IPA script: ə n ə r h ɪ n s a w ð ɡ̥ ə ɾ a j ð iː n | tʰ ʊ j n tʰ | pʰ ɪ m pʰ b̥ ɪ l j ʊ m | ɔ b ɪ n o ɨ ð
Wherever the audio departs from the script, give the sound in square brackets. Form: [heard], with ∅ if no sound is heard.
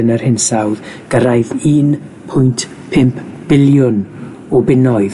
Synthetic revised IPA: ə n ə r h ɪ n s a w ð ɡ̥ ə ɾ a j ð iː n | [pʰ] ʊ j n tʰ | pʰ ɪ m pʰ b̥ ɪ l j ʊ [n] | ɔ b ɪ n [ɔ] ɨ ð